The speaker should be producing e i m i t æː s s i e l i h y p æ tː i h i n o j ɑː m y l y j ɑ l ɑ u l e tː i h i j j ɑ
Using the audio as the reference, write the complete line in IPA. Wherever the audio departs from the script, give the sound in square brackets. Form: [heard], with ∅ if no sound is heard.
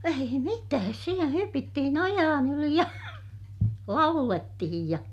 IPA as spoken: e i m i t æː s s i e l [æ] h y p [i] tː i h i n o j ɑː [n] y l [i] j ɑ l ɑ u l e tː i h i j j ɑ